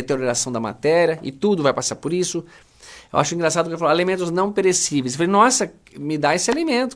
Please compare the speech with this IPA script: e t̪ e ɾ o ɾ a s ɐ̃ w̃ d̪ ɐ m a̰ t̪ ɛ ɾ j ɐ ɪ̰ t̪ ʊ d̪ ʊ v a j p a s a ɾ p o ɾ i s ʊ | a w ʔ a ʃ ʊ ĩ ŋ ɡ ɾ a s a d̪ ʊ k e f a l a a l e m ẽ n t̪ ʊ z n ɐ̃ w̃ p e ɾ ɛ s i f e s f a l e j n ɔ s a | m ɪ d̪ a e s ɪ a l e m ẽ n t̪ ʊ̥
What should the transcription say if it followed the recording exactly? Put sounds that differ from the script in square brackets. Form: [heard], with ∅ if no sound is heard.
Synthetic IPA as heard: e t̪ e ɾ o ɾ a s ɐ̃ w̃ d̪ ɐ m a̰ t̪ ɛ ɾ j ɐ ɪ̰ t̪ [u] d̪ ʊ v a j p a s a ɾ p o ɾ i s ʊ | [e] w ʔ a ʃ ʊ ĩ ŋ ɡ ɾ a s a d̪ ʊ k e f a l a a l e m ẽ n t̪ ʊ z n ɐ̃ w̃ p e ɾ [e] s i [v] e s f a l e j n ɔ s [ɐ] | m ɪ d̪ a e s ɪ a l e m ẽ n t̪ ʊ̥